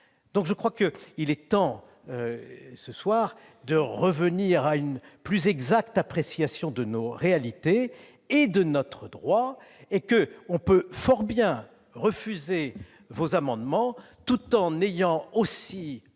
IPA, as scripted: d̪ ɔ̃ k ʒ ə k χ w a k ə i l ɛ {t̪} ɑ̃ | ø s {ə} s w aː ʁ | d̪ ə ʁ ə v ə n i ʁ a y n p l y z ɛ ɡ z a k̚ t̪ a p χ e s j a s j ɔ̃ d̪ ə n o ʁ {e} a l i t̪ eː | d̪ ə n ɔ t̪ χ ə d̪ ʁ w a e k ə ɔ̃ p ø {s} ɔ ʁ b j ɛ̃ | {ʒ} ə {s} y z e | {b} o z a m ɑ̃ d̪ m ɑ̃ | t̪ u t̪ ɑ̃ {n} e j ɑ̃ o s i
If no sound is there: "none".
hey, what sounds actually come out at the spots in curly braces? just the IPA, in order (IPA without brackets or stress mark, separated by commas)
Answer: t̪, ə, e, f, ʁ, f, v, n